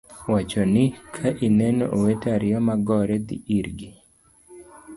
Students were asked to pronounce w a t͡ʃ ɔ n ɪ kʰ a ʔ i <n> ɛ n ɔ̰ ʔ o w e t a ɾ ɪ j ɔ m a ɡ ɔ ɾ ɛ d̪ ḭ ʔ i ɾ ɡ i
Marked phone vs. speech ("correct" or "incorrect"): correct